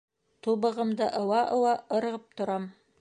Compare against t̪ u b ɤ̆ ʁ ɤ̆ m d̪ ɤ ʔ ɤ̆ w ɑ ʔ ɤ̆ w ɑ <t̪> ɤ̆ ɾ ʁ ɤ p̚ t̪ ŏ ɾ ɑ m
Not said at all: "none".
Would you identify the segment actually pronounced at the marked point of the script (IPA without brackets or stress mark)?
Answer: none